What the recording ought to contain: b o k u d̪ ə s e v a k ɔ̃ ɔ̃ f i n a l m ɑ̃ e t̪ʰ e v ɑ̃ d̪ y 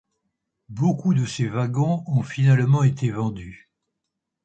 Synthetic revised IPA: b o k u d̪ ə s e v a ɡ ɔ̃ ɔ̃ f i n a l m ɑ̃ e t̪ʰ e v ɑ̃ d̪ y